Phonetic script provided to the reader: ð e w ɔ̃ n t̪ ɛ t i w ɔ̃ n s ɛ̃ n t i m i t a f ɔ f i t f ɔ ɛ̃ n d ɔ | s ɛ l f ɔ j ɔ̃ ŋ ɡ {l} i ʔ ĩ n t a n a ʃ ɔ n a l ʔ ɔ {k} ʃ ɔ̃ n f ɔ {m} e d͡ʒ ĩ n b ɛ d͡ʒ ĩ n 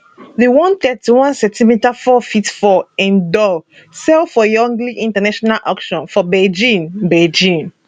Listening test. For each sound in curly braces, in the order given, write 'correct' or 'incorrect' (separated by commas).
correct, correct, incorrect